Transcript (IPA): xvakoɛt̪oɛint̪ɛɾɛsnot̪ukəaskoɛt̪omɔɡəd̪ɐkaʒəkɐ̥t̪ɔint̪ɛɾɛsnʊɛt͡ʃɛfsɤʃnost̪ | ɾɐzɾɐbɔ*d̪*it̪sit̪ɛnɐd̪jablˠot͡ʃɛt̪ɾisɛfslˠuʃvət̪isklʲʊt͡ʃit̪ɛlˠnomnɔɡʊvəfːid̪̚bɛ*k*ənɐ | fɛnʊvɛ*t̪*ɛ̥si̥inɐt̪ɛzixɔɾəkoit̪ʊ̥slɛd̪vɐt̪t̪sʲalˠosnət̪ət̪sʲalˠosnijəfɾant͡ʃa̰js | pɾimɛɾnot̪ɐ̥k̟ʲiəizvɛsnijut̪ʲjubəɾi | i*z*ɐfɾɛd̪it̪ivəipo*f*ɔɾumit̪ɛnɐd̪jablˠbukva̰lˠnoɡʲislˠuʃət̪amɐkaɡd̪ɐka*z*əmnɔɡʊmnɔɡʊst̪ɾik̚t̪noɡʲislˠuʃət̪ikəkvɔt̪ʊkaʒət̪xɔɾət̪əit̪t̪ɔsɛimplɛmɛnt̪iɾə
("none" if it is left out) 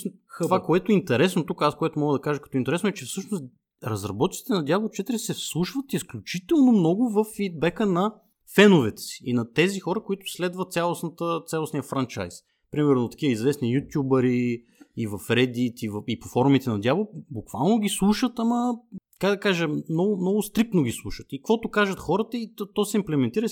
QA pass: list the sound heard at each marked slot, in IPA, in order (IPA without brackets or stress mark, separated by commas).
t̪, k, t̪, v, f, ʒ